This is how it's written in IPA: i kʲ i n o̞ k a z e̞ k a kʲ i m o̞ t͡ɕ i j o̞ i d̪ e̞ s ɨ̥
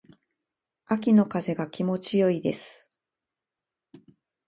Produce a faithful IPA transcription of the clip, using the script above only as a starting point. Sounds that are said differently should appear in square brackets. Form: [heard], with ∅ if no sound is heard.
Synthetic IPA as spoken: [a] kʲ i n o̞ k a z e̞ [ɡ] a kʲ i m o̞ t͡ɕ i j o̞ i d̪ e̞ s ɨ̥